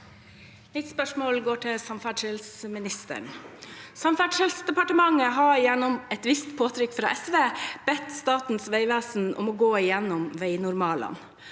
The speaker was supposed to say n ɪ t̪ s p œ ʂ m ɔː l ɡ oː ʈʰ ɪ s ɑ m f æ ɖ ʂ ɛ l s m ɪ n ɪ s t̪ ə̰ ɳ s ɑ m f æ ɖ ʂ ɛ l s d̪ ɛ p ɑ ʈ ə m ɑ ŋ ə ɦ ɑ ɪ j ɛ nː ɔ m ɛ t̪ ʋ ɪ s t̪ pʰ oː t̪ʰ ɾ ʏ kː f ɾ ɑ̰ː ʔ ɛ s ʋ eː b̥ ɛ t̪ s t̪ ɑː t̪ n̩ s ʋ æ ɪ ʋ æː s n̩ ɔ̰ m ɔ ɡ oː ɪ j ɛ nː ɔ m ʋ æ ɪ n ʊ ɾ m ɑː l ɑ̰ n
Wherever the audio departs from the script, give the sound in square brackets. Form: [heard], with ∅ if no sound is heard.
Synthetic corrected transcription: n ɪ t̪ s p œ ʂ m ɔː l ɡ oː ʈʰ ɪ s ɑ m f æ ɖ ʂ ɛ l s m ɪ n ɪ s t̪ ə̰ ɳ s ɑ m f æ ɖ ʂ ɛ l s d̪ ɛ p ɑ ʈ ə m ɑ ŋ ə ɦ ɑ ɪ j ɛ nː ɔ m ɛ t̪ ʋ ɪ s t̪ pʰ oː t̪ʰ ɾ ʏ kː f ɾ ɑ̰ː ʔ ɛ s ʋ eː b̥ ɛ t̪ s t̪ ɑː t̪ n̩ s ʋ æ ɪ ʋ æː s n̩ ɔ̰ m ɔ ɡ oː ɪ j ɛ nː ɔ m ʋ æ ɪ n ʊ ɾ m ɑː l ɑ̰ n